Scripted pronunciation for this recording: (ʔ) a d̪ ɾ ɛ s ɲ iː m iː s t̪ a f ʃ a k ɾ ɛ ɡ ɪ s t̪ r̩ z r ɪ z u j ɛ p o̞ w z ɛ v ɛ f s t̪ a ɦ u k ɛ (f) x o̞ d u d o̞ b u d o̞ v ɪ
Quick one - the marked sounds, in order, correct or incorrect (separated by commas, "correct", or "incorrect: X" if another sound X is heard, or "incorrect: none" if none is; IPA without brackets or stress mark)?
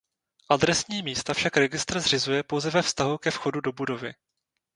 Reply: correct, correct